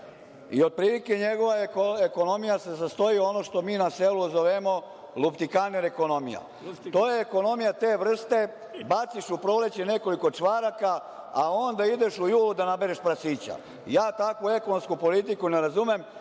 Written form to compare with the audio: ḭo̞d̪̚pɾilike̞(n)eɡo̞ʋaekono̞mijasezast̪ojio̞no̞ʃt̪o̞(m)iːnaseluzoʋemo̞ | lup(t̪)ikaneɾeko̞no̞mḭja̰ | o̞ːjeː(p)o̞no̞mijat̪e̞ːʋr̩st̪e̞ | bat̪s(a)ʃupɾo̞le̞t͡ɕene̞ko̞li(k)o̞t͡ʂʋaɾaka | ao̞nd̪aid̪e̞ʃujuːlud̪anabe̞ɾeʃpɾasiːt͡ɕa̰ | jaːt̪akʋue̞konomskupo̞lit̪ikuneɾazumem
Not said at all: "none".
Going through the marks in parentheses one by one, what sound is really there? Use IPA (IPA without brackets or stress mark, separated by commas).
ɲ, m, t̪, k, i, k